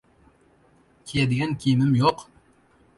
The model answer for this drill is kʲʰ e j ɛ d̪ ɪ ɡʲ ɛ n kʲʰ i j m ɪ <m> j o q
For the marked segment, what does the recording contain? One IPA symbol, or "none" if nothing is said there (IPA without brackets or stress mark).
m